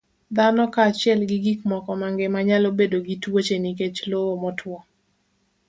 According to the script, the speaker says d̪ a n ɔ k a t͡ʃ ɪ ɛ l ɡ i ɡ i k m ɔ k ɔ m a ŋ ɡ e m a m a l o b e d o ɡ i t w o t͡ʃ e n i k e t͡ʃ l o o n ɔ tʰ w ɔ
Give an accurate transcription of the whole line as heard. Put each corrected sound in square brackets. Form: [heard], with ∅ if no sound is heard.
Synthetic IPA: d̪ a n ɔ k a t͡ʃ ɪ ɛ l ɡ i ɡ i k m ɔ k ɔ m a ŋ ɡ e m a [ɲ] a l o b e d o ɡ i t w o t͡ʃ e n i k e t͡ʃ l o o [m] ɔ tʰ w ɔ